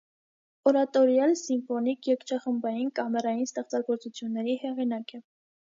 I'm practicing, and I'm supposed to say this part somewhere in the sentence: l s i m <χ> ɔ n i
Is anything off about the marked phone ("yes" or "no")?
yes